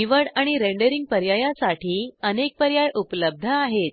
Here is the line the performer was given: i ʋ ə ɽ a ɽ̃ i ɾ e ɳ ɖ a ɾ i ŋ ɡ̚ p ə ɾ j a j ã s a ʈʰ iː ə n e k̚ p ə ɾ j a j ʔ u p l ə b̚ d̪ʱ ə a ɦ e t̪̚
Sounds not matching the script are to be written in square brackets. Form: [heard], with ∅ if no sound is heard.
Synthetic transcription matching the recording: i ʋ ə ɽ a ɽ̃ i ɾ e ɳ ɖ [ə] ɾ i ŋ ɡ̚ p ə ɾ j a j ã s a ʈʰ iː ə n e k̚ p ə ɾ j a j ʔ u p l ə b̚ d̪ʱ ə a ɦ e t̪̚

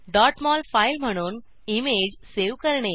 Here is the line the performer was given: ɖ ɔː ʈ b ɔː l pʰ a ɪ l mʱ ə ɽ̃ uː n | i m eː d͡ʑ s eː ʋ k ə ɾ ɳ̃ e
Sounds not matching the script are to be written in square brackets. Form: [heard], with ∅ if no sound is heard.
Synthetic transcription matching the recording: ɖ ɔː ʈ [m] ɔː l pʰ a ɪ l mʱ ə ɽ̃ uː n | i m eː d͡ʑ s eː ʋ k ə ɾ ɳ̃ e

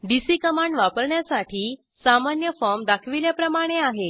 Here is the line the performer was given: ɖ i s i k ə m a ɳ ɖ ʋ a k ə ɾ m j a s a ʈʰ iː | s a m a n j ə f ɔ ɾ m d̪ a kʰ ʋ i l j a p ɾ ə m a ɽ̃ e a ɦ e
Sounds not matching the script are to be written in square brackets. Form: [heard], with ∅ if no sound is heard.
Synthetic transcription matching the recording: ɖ i s i k ə m a ɳ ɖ ʋ a [p] ə ɾ [ɳ] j a s a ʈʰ iː | s a m a n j ə f ɔ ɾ m d̪ a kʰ ʋ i l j a p ɾ ə m a ɽ̃ e a ɦ e

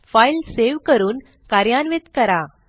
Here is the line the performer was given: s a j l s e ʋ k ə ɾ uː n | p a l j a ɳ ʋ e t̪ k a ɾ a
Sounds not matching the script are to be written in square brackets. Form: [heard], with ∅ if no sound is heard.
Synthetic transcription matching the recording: [f] a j l s e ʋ k ə ɾ uː n | [k] a [ɾ] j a [n] ʋ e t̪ k [ə] ɾ a

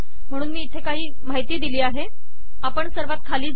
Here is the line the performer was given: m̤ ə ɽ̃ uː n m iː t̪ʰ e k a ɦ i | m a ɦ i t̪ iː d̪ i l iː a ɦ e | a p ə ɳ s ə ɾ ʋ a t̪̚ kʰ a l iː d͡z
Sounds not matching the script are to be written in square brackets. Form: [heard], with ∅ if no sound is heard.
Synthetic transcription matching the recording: m̤ ə ɽ̃ uː n m iː t̪ʰ e k a ɦ [iː] | m a ɦ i t̪ iː d̪ i l iː a ɦ e | a p ə ɳ s ə ɾ ʋ a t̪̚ kʰ a l iː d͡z

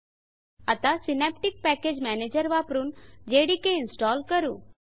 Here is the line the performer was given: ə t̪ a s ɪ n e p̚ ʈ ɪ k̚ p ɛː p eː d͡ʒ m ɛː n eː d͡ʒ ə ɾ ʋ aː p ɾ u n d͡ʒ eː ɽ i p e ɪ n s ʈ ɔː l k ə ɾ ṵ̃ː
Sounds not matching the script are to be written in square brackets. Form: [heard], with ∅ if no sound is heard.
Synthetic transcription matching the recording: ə t̪ a s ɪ n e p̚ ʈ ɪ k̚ p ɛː [k] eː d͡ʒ m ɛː n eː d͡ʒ ə ɾ ʋ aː p ɾ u n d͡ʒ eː ɽ i [k] e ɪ n s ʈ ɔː l k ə ɾ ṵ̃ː

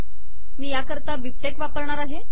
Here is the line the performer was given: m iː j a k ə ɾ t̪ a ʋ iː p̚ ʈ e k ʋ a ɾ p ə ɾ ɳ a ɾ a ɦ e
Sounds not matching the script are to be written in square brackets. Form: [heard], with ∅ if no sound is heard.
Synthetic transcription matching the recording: m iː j a k ə ɾ t̪ a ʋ [i] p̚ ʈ e k ʋ a [∅] p ə ɾ ɳ a ɾ a ɦ e

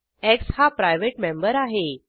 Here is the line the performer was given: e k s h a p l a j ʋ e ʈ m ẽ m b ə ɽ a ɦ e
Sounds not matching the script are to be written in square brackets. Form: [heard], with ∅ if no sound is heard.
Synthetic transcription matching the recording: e k s h a p [ɾ] a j ʋ e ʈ m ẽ m b ə [ɾ] a ɦ e

